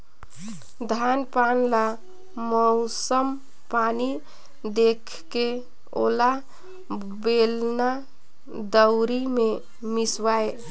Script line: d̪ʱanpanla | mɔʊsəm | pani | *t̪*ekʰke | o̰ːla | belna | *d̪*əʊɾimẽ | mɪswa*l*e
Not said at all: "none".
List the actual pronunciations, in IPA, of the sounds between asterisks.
d̪, d̪, none

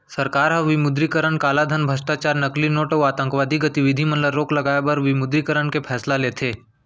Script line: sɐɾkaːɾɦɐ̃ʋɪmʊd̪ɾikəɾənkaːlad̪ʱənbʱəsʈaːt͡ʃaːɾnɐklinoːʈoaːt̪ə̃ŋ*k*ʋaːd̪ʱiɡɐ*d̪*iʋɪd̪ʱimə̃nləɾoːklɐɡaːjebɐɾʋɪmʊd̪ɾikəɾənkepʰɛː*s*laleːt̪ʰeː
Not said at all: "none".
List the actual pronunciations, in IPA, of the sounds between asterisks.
k, t̪, s

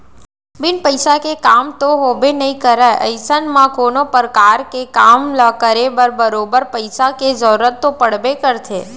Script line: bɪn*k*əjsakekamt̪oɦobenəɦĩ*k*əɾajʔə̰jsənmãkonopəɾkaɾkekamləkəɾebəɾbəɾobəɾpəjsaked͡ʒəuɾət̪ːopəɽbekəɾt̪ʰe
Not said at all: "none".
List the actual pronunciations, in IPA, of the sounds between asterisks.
p, k

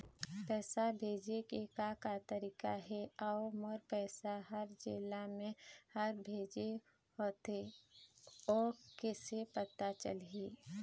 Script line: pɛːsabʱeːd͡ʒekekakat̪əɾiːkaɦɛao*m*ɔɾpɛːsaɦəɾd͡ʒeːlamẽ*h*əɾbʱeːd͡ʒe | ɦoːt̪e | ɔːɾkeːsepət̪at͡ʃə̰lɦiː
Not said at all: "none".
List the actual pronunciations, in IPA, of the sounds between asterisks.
m, h

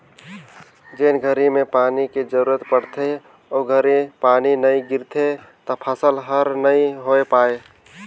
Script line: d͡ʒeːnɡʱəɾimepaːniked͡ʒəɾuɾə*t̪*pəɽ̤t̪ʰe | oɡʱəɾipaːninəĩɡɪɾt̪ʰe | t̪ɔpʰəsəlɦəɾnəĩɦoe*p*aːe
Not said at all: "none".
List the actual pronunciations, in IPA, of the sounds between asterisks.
t̪, p

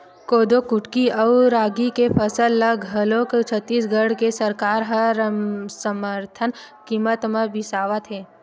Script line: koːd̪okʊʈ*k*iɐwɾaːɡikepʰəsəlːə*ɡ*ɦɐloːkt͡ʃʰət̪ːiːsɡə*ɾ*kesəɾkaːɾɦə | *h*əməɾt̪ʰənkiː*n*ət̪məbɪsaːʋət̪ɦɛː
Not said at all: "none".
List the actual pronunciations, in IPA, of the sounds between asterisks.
k, ɡ, ɽ, s, m

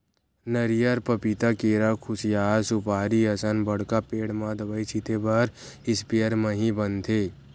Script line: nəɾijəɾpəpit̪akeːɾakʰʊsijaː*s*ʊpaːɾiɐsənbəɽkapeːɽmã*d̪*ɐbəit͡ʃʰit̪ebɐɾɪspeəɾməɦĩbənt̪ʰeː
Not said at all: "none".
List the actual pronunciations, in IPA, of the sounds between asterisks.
s, d̪

